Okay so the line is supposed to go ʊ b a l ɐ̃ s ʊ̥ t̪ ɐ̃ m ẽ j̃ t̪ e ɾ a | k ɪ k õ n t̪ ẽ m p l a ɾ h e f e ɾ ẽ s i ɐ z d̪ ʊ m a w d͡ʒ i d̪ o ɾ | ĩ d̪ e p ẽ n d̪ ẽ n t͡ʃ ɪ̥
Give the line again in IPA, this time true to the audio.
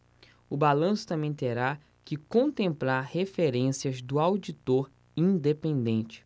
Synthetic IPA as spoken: ʊ b a l ɐ̃ s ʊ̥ t̪ ɐ̃ m ẽ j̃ t̪ e ɾ a | k ɪ k õ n t̪ ẽ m p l a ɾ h e f e ɾ ẽ s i ɐ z d̪ ʊ a w d͡ʒ i t̪ o ɾ | ĩ d̪ e p ẽ n d̪ ẽ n t͡ʃ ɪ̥